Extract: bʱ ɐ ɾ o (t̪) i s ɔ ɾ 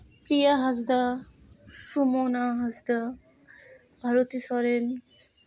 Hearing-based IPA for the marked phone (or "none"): t̪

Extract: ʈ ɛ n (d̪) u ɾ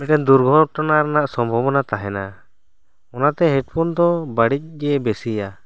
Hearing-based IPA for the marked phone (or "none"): d̪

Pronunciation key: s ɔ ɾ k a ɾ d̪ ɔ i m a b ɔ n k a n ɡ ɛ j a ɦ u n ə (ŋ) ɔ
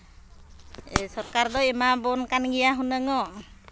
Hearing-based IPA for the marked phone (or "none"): ŋ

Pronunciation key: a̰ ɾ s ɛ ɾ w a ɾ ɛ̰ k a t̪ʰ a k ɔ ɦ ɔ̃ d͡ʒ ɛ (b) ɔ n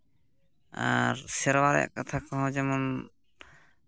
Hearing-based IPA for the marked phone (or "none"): m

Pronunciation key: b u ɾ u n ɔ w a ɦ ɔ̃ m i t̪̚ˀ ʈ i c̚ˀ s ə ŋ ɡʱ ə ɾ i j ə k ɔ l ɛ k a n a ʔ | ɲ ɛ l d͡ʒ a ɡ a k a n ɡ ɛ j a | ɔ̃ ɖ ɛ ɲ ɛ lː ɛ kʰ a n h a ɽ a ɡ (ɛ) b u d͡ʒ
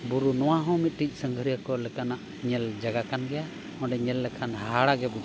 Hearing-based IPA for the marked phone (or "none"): ɛ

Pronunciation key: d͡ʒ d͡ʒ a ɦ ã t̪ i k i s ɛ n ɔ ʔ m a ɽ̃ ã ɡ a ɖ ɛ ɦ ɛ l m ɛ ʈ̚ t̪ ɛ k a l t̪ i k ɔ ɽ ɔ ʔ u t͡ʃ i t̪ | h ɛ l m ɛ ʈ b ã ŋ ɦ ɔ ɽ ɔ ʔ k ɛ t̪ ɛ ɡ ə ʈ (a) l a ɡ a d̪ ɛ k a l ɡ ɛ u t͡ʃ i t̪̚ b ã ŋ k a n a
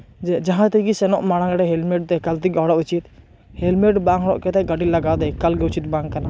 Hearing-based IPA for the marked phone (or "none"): i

